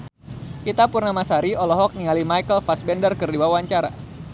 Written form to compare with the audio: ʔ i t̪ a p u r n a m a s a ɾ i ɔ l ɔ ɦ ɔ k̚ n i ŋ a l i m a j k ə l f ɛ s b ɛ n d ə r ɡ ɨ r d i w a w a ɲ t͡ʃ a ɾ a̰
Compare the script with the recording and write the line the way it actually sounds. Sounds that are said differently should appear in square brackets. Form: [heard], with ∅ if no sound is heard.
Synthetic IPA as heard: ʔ i t̪ a p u r n a m a s a ɾ i ɔ l ɔ ɦ ɔ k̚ n i ŋ a l i m a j k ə l f [a] s b ɛ n d ə r [k] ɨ r d i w a w a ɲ t͡ʃ a ɾ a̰